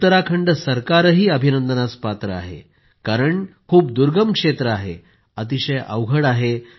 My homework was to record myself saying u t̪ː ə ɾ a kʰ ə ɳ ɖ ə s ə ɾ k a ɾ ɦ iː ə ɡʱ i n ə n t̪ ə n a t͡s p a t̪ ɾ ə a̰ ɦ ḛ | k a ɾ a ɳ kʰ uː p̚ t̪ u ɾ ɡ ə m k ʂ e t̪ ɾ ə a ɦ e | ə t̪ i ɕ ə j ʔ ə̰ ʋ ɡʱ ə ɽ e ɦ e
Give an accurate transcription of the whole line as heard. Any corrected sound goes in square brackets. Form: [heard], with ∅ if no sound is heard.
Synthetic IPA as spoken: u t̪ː ə ɾ a kʰ ə ɳ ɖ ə s ə ɾ k a ɾ ɦ iː ə [bʱ] i n ə n [d̪] ə n a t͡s p a t̪ ɾ ə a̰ ɦ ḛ | k a ɾ [ə] ɳ kʰ uː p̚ [d̪] u ɾ ɡ ə m k ʂ e t̪ ɾ ə a ɦ e | ə t̪ i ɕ ə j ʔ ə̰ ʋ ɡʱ ə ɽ [a] ɦ e